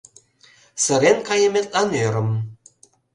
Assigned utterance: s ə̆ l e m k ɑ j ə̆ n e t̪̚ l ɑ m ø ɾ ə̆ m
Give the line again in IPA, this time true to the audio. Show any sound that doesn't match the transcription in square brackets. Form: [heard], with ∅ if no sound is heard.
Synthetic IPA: s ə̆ [ɾ] e [n] k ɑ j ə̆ [m] e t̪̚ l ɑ [n] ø ɾ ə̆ m